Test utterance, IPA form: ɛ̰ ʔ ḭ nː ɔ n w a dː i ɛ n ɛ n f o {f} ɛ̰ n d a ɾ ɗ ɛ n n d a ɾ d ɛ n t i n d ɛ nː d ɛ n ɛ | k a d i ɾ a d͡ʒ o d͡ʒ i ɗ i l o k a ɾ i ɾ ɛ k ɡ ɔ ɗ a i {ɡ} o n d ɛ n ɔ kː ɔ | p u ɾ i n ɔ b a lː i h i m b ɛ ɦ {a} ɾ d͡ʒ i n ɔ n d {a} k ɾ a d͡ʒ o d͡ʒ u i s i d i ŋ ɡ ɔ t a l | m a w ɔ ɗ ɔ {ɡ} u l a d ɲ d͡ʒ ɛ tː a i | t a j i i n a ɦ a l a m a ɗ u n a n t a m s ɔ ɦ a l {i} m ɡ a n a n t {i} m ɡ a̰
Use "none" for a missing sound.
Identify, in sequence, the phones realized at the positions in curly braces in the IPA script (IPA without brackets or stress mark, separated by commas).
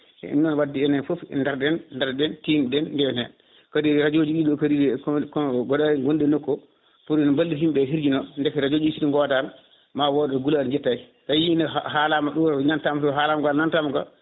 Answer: f, ɡ, i, ɛ, ɡ, a, a